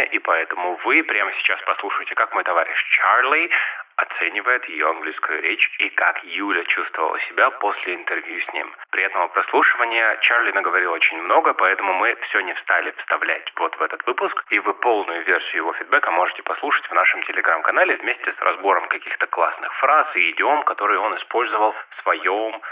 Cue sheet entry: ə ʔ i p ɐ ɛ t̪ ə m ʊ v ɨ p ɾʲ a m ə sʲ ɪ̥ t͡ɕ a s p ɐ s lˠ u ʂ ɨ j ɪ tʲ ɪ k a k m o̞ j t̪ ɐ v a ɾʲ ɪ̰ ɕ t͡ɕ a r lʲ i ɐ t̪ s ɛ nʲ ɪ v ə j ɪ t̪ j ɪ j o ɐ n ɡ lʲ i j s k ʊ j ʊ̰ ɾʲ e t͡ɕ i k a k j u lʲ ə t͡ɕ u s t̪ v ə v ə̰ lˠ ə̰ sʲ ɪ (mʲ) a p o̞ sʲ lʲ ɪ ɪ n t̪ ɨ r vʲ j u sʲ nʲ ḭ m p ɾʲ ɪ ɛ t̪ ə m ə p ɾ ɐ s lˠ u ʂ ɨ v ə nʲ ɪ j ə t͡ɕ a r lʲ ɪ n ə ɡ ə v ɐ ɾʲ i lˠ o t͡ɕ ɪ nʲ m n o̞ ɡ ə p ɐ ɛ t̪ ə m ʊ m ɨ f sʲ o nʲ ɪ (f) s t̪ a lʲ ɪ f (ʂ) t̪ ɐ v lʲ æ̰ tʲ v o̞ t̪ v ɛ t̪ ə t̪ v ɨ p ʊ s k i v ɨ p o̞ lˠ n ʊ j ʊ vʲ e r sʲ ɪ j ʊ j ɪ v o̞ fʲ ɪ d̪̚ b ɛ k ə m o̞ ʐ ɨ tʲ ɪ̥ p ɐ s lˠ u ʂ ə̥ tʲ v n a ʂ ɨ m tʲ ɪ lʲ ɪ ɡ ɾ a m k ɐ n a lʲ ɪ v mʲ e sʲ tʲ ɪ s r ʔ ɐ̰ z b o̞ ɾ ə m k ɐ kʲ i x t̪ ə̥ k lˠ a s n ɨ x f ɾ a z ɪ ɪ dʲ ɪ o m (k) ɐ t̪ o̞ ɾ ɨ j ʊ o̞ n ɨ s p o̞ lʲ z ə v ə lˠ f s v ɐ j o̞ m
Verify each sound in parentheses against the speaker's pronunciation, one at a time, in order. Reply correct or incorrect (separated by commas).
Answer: incorrect, correct, incorrect, correct